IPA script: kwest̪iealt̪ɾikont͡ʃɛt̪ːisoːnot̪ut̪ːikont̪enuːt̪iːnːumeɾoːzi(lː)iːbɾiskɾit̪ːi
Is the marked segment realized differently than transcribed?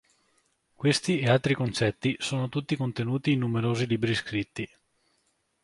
yes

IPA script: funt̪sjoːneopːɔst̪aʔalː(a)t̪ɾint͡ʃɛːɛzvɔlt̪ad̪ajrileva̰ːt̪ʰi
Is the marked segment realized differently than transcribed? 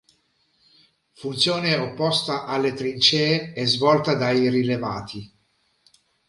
yes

